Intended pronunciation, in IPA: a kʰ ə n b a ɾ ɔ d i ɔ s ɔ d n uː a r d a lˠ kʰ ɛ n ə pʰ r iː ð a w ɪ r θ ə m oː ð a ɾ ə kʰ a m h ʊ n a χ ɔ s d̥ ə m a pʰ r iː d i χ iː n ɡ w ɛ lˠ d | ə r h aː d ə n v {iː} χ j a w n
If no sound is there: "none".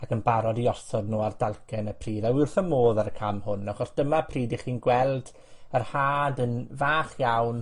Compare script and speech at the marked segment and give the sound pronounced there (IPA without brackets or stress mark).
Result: aː